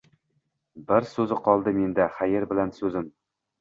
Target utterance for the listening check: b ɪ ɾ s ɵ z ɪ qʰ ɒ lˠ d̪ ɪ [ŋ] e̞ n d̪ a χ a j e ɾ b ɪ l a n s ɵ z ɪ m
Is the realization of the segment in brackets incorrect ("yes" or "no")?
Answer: yes